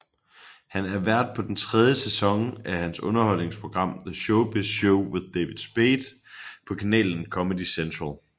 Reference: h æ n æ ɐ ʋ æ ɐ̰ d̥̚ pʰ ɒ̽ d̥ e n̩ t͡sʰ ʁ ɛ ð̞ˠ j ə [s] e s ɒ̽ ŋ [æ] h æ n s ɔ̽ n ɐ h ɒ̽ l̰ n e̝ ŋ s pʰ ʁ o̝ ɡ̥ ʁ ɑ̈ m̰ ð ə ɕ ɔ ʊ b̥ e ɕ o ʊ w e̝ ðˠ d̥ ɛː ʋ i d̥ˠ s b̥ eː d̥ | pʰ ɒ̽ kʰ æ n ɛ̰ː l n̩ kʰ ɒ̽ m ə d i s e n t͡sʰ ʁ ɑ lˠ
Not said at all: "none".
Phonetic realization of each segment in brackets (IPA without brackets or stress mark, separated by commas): s, æ